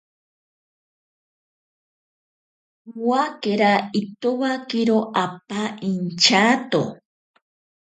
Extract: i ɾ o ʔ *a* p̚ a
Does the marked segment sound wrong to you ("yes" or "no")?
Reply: no